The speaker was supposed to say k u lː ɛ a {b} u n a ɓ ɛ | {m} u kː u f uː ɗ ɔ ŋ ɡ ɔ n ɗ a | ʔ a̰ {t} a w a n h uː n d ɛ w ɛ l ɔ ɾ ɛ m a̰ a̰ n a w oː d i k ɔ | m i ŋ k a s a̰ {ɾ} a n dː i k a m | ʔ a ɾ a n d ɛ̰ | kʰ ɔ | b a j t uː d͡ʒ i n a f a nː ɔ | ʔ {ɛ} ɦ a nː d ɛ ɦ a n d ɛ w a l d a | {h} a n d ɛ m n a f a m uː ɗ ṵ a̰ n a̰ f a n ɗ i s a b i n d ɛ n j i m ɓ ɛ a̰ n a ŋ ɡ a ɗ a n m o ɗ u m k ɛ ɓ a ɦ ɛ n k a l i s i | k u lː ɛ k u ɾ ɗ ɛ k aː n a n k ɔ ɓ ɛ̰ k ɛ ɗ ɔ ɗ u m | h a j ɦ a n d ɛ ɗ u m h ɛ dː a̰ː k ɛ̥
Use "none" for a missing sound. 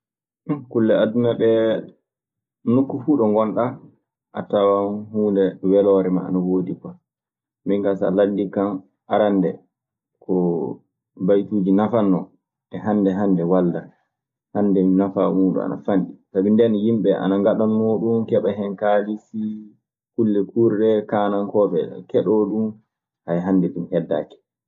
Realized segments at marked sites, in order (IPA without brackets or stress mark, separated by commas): d, n, t, l, ɛ, h